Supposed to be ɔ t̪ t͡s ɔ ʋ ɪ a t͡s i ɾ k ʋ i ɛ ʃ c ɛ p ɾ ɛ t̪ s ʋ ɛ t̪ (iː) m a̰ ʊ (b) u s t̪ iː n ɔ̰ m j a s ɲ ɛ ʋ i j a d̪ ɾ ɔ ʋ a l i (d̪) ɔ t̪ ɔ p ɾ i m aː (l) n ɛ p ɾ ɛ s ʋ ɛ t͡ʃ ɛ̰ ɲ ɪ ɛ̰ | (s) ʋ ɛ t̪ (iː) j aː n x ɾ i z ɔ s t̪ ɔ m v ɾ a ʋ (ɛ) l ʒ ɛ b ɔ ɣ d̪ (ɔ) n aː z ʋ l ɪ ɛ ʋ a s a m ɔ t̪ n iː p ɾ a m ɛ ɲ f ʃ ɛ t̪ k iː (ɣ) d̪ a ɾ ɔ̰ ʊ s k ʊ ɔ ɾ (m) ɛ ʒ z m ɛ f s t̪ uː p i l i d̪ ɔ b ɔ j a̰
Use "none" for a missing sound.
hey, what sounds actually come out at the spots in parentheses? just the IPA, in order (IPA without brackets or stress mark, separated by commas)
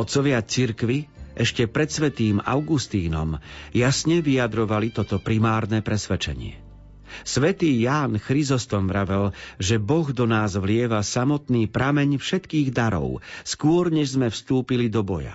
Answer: iː, ɡ, t̪, ɾ, s, iː, ɛ, ɔ, ɣ, ɲ